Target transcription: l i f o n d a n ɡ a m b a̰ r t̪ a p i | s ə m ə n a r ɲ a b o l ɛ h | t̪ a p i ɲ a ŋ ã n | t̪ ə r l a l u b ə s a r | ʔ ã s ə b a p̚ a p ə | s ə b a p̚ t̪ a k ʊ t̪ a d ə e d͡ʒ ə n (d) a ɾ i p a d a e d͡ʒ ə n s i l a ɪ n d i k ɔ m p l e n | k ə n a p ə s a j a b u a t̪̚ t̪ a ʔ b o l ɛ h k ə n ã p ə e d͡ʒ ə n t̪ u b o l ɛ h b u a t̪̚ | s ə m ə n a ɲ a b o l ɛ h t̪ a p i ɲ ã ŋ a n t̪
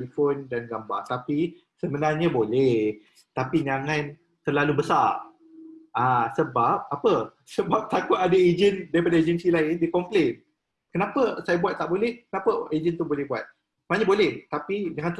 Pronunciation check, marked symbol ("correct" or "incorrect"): correct